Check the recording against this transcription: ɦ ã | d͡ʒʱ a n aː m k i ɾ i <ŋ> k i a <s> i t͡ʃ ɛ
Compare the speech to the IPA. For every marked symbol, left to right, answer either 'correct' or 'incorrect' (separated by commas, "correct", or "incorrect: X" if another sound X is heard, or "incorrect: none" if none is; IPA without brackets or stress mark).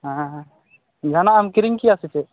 correct, correct